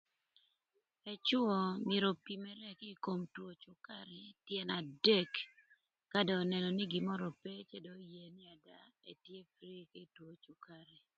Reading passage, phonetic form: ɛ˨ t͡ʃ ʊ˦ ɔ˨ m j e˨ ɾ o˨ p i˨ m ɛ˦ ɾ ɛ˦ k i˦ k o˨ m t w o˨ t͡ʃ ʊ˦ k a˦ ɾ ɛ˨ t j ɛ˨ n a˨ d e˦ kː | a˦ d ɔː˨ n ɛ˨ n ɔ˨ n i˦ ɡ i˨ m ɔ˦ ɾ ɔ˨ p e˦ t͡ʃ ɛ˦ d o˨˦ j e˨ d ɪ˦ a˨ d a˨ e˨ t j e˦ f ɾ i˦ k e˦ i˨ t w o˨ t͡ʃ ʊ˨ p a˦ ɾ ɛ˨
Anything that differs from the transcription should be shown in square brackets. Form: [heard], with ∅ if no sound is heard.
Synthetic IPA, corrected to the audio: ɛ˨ t͡ʃ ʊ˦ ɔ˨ m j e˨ ɾ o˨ p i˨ m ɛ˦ ɾ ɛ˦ k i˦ k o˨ m t w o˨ t͡ʃ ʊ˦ k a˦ ɾ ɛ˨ t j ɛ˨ n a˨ d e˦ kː | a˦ d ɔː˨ n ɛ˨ n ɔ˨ n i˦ ɡ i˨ m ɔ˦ ɾ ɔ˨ p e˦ t͡ʃ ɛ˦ d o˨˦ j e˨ [n] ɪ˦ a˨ d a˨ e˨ t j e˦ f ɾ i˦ k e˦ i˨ t w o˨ t͡ʃ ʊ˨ [k] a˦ ɾ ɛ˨